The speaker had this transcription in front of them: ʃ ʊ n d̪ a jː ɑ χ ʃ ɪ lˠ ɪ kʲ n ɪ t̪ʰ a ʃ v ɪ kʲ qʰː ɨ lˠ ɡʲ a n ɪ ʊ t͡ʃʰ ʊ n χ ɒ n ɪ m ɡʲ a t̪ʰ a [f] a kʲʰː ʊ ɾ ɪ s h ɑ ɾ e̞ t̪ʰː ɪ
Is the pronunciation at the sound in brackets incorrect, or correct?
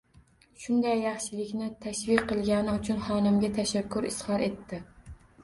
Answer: incorrect